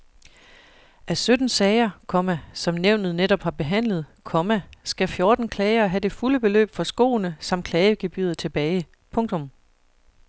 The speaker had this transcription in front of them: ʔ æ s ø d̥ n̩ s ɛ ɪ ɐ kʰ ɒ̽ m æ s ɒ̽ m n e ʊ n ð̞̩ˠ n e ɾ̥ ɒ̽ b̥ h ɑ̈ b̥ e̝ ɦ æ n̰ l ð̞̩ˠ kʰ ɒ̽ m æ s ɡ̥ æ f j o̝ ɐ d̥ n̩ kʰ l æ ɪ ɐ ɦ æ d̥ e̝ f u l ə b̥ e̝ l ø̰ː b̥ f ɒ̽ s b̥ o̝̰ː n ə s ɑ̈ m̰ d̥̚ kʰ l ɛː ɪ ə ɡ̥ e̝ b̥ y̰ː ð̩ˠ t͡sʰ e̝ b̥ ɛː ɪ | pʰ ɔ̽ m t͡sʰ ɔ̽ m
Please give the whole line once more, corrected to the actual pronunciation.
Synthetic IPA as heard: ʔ æ s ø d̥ n̩ s ɛ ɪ ɐ kʰ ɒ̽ m æ s ɒ̽ m n e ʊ n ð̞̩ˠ n e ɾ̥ ɒ̽ b̥ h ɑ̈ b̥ e̝ ɦ æ n̰ l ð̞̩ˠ kʰ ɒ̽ m æ s ɡ̥ æ f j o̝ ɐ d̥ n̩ kʰ l ɛ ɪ ɐ ɦ æ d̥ e̝ f u l ə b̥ e̝ l ø̰ː b̥ f ɒ̽ s ɡ̥ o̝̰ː n ə s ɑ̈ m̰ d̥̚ kʰ l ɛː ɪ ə ɡ̥ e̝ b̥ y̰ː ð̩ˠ t͡sʰ e̝ b̥ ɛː ɪ | pʰ ɔ̽ ŋ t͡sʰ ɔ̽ m